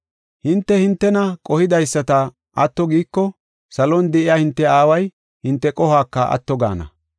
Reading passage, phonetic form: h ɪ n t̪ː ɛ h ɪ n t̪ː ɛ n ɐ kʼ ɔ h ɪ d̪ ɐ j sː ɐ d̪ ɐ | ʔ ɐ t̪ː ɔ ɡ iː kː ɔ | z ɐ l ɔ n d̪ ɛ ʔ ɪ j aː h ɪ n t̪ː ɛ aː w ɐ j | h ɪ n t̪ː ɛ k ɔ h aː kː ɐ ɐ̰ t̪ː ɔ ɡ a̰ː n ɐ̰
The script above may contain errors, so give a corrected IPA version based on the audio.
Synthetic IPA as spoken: h ɪ n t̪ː ɛ h ɪ n t̪ː ɛ n ɐ kʼ ɔ h ɪ d̪ ɐ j sː ɐ t̪ ɐ | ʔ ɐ t̪ː ɔ ɡ iː kː ɔ | s ɐ l ɔ n d̪ ɛ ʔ ɪ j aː h ɪ n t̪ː ɛ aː w ɐ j | h ɪ n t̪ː ɛ kʼ ɔ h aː kː ɐ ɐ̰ t̪ː ɔ ɡ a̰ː n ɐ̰